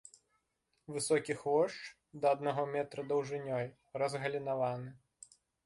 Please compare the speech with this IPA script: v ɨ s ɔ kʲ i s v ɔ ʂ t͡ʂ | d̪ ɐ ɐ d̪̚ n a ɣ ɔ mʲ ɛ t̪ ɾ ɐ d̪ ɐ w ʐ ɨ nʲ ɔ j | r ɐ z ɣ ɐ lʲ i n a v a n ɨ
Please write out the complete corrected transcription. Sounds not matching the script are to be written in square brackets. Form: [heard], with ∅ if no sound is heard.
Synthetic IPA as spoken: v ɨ s ɔ kʲ i [x] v ɔ ʂ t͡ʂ | d̪ ɐ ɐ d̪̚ n a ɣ ɔ mʲ ɛ t̪ ɾ ɐ d̪ ɐ w ʐ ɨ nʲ ɔ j | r ɐ z ɣ ɐ lʲ i n a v a n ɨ